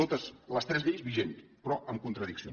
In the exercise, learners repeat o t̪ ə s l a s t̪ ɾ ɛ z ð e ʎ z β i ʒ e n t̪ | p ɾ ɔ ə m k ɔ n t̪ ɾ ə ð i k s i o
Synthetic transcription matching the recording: o t̪ ə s l ə s t̪ ɾ ɛ z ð e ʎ z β i ʒ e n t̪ | p ɾ ɔ ə m k u n t̪ ɾ ə ð i k s i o

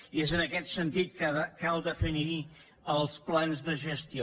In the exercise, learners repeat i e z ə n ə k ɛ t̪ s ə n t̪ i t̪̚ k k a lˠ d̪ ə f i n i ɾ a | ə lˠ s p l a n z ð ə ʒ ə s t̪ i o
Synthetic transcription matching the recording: i e z ə n ə k ɛ t̪ s ə n t̪ i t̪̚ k k a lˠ d̪ ə f i n i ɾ i | ə lˠ s p l a n z ð ə ʒ ə s t̪ i o

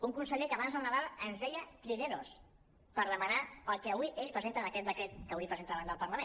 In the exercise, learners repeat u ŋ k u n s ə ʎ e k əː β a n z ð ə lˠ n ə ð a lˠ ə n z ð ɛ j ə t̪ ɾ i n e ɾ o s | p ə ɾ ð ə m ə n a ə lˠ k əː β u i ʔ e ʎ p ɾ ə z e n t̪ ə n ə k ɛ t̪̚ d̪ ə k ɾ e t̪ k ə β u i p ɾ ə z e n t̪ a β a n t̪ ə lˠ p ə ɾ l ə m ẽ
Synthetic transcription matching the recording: u ŋ k u n s ə ʎ e k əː β a n z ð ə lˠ n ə ð a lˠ ə n z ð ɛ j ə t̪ ɾ i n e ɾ o s | p ə ɾ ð ə m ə n a ə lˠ k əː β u i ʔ e ʎ p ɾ ə z e n t̪ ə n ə k ɛ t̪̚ d̪ ə k ɾ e t̪ k ə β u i p ɾ ə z e n t̪ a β a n d̪ ə lˠ p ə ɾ l ə m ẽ

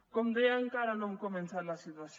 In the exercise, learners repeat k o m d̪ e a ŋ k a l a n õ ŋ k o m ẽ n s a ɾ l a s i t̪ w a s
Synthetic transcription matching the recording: k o m d̪ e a ŋ k a ɾ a n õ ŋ k o m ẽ n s a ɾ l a s i t̪ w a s

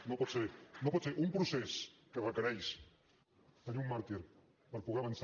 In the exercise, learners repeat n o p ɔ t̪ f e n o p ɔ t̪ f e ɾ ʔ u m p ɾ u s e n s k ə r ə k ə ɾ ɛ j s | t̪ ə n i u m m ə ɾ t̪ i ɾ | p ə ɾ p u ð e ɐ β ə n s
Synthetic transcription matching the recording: n o p ɔ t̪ s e n o p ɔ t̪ s e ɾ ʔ u m p ɾ u s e s k ə r ə k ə ɾ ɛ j s | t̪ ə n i u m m a ɾ t̪ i ɾ | p ə ɾ p u ɣ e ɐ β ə n s

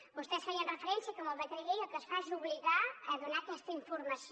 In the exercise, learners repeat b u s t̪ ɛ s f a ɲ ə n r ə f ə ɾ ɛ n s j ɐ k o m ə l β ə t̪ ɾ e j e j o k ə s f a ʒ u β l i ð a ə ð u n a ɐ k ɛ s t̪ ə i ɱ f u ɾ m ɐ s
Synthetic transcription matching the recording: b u s t̪ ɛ s f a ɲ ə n r ə f ə ɾ ɛ n s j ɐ k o m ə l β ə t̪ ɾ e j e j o k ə s f a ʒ u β l i ɣ a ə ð u n a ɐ k ɛ s t̪ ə i ɱ f u ɾ m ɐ s

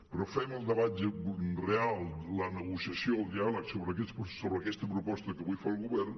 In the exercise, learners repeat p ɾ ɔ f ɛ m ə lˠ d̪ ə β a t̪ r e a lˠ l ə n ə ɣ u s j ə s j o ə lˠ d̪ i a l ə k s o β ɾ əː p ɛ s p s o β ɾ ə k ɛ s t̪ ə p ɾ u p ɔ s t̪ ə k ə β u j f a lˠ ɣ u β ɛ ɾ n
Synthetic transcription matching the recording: p ɾ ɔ f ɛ m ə lˠ d̪ ə β a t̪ r e a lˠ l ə n ə ɣ u s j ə s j o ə lˠ d̪ i a l ə k s o β ɾ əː k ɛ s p s o β ɾ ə k ɛ s t̪ ə p ɾ u p ɔ s t̪ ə k ə β u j f a lˠ ɣ u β ɛ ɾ n

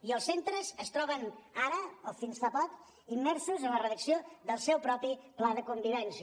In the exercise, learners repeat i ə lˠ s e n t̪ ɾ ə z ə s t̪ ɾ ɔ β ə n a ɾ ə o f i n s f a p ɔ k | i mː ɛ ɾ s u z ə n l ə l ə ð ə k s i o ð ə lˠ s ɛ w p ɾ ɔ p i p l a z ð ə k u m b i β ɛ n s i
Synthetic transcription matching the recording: i ə lˠ s e n t̪ ɾ ə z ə s t̪ ɾ ɔ β ə n a ɾ ə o f i n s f a p ɔ k | i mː ɛ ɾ s u z ə n l ə r ə ð ə k s i o ð ə lˠ s ɛ w p ɾ ɔ p i p l a ð ə k u m b i β ɛ n s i

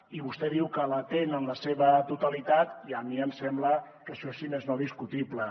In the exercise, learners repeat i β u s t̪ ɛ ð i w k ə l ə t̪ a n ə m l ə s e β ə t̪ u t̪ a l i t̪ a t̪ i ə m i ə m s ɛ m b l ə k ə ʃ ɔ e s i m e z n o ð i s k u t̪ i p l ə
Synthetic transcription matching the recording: i β u s t̪ ɛ ð i w k ə l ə t̪ e n ə n l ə s e β ə t̪ u t̪ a l i t̪ a t̪ i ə m i ə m s ɛ m b l ə k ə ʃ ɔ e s i m e z n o ð i s k u t̪ i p l ə

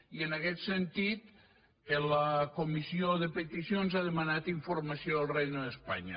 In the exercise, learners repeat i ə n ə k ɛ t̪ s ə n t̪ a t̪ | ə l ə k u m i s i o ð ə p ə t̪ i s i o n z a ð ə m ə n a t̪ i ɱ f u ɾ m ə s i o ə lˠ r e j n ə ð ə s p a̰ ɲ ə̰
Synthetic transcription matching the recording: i ə n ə k ɛ t̪ s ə n t̪ i t̪ | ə l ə k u m i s i o ð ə p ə t̪ i s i o n z a ð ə m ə n a t̪ i ɱ f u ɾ m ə s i o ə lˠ r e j n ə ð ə s p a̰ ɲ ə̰

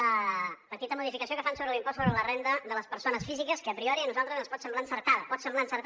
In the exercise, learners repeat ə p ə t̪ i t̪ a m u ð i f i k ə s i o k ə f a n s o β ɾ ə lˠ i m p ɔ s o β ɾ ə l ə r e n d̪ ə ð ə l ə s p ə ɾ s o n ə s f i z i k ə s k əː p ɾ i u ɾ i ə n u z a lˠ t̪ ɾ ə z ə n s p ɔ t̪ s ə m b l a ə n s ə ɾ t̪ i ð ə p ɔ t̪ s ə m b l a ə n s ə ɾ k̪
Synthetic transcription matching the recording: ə p ə t̪ i t̪ ə m u ð i f i k ə s i o k ə f a n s o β ɾ ə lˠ i m p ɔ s o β ɾ ə l ə r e n d̪ ə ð ə l ə s p ə ɾ s o n ə s f i z i k ə s k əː p ɾ i ɔ ɾ i ə n u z a lˠ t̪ ɾ ə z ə n s p ɔ t̪ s ə m b l a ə n s ə ɾ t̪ a ð ə p ɔ t̪ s ə m b l a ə n s ə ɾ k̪

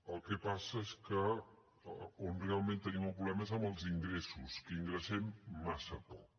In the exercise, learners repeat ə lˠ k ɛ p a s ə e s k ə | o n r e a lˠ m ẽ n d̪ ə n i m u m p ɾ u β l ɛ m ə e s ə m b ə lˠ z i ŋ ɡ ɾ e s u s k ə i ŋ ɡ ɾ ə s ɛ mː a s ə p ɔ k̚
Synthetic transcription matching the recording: ə lˠ k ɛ p a s ə e s k ə | o n r e a lˠ m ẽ n t̪ ə n i m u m p ɾ u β l ɛ m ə e z ə m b ə lˠ z i ŋ ɡ ɾ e s u s k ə i ŋ ɡ ɾ ə s ɛ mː a s ə p ɔ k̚

